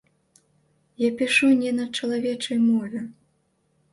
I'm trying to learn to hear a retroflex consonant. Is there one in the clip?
yes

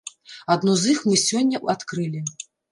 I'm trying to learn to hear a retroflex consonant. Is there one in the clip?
no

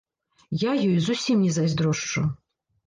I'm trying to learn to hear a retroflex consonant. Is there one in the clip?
yes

